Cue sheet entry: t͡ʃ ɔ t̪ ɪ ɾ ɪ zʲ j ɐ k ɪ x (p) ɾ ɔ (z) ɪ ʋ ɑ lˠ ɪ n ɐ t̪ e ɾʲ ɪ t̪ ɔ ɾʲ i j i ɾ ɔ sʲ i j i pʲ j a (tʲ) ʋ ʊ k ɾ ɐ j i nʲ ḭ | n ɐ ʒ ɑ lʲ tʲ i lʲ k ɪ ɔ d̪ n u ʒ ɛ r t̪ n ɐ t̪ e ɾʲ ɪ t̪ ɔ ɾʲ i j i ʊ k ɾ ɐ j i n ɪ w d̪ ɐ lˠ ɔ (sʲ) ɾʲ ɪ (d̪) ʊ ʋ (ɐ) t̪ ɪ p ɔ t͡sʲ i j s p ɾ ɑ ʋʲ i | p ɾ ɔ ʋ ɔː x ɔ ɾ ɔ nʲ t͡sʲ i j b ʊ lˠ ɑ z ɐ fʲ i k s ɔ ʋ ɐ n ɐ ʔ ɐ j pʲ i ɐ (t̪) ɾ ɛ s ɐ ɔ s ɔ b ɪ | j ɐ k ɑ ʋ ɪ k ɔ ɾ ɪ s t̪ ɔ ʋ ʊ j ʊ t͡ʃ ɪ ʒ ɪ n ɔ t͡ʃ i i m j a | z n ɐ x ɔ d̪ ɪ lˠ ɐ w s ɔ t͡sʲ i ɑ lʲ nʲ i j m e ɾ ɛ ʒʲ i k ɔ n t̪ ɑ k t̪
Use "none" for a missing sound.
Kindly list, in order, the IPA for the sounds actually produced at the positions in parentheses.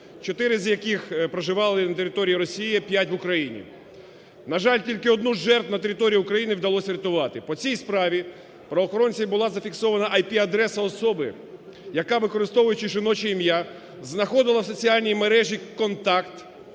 p, ʒ, tʲ, sʲ, t̪, ɑ, d̪

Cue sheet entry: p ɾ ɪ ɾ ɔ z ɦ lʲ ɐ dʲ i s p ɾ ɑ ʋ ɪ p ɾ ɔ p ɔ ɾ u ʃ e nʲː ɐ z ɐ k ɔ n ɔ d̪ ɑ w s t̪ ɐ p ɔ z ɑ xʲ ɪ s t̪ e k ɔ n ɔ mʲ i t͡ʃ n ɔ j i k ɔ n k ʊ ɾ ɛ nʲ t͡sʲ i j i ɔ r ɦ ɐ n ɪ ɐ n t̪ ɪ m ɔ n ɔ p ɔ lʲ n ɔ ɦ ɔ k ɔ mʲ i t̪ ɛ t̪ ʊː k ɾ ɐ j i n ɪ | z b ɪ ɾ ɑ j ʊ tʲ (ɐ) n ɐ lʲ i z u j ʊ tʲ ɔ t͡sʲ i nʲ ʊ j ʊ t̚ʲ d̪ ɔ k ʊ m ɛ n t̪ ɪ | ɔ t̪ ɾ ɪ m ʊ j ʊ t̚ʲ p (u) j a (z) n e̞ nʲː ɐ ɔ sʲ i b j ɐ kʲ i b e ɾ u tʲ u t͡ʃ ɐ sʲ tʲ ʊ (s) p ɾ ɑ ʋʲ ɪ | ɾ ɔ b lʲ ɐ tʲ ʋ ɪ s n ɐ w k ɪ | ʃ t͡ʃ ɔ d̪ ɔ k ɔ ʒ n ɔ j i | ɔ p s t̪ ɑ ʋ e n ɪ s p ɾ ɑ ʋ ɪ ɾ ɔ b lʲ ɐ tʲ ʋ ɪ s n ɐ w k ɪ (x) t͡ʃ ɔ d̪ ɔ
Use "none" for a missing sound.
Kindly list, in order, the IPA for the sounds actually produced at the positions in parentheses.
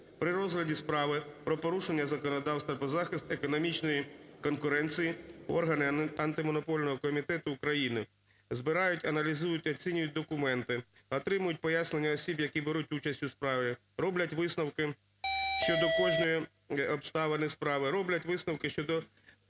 ɐ, ɔ, s, s, ʃ

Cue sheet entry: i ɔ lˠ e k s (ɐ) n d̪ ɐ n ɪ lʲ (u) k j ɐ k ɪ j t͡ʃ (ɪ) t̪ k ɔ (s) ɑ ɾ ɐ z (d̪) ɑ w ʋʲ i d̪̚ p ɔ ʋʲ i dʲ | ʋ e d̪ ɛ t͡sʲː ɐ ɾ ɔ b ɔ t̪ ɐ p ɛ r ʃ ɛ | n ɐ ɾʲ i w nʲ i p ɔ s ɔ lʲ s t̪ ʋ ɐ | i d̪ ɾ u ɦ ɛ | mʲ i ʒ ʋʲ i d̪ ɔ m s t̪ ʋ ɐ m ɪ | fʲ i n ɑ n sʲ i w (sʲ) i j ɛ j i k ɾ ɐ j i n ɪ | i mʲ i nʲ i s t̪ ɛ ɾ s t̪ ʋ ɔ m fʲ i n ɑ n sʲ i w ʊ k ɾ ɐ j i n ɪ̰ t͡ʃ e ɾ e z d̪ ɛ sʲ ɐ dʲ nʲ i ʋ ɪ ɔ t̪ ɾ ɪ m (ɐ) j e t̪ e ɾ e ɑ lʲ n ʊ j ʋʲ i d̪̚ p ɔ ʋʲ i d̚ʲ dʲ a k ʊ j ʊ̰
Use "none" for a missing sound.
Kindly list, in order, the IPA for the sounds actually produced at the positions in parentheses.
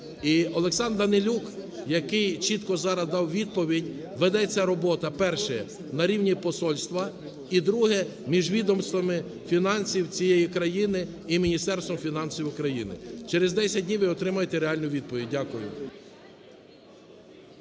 ɑ, u, i, z, d̪, t͡sʲ, ɐ

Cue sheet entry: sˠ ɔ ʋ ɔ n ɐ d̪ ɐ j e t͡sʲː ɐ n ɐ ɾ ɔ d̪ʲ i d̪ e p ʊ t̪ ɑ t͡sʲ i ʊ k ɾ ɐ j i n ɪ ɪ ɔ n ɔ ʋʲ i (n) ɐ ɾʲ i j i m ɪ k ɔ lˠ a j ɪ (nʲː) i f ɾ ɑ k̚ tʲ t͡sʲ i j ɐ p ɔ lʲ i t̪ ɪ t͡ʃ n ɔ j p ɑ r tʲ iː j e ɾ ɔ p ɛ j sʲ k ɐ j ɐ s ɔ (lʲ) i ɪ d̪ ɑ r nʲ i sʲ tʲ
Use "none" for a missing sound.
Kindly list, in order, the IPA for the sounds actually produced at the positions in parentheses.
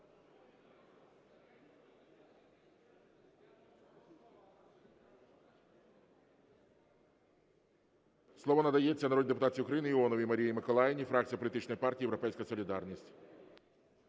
m, nʲ, lʲ

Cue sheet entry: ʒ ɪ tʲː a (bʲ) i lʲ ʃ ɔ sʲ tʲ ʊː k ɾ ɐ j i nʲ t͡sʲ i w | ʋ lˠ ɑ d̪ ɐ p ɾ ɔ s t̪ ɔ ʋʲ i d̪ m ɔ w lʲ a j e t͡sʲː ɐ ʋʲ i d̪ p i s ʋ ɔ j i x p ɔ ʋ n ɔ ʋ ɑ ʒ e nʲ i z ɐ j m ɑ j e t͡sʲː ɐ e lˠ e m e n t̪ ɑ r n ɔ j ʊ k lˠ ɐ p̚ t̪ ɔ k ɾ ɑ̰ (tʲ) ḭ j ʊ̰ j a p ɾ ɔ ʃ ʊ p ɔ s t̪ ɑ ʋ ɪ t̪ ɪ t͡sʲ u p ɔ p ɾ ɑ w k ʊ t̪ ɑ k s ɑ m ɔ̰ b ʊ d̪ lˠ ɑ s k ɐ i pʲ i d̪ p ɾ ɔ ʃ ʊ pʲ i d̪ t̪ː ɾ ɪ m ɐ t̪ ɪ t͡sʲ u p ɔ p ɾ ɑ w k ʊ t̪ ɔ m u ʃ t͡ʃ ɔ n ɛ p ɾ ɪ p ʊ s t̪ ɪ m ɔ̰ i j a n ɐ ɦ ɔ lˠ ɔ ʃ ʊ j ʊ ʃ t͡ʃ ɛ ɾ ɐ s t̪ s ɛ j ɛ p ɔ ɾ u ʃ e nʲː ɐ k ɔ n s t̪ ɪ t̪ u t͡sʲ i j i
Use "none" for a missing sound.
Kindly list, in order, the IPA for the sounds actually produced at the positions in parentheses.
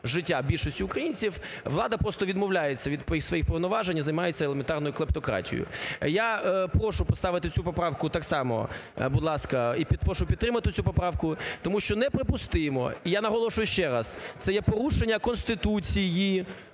bʲ, tʲ

